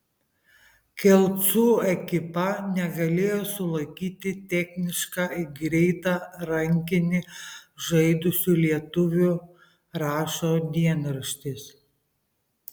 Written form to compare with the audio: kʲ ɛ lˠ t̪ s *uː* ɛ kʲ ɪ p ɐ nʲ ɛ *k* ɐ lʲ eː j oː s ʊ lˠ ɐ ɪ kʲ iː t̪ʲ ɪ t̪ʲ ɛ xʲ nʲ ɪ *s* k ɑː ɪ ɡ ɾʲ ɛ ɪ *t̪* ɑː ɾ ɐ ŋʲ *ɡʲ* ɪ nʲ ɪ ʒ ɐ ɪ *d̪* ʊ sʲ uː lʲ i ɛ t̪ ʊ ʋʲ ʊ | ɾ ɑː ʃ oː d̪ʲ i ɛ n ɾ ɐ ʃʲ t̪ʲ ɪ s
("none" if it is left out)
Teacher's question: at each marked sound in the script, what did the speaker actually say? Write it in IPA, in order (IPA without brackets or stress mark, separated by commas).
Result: uː, ɡ, ʃ, t̪, kʲ, d̪